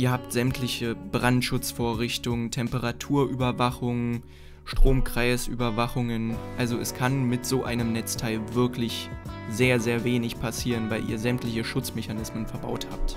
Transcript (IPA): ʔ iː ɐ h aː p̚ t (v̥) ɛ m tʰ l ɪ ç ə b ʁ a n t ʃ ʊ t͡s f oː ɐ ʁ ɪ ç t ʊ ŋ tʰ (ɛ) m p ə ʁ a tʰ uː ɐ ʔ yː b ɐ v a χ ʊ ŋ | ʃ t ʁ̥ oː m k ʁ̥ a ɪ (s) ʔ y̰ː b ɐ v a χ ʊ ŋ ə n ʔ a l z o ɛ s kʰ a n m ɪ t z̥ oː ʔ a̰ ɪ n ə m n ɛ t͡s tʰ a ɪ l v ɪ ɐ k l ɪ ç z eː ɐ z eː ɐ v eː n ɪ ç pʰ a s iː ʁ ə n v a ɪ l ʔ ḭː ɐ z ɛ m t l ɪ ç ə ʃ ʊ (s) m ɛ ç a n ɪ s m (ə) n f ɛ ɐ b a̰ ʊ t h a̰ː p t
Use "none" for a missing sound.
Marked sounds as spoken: z̥, ɛ, s, t͡s, ə

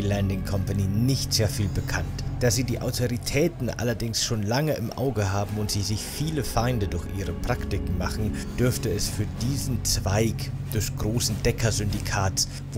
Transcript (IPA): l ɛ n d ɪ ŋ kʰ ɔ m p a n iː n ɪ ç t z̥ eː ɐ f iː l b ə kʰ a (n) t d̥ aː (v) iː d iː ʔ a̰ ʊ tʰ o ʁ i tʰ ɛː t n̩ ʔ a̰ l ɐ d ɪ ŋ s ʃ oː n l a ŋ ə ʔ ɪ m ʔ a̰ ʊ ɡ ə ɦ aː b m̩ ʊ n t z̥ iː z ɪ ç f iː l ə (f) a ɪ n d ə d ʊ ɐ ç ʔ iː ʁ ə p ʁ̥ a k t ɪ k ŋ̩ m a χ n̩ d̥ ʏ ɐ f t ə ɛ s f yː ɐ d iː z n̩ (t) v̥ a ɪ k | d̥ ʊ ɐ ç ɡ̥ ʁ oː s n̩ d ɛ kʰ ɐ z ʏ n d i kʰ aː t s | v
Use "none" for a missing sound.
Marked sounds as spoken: n, z, f, t͡s

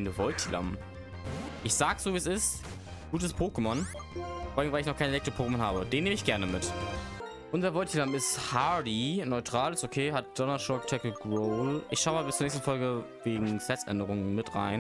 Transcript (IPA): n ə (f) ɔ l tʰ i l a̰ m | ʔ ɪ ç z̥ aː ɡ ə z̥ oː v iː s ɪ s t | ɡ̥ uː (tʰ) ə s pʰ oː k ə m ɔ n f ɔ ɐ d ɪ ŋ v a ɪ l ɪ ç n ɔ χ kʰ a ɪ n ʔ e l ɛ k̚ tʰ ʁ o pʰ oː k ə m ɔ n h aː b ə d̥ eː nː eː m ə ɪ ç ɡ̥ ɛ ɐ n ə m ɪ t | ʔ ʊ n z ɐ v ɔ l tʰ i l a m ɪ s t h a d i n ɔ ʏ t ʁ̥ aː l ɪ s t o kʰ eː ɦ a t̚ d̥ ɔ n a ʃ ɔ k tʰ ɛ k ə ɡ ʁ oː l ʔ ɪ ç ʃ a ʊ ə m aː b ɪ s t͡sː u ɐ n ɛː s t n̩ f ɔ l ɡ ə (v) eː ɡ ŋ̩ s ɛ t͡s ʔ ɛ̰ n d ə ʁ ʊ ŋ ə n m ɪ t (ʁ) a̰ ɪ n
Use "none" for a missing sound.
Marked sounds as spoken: v, t, v, ʁ

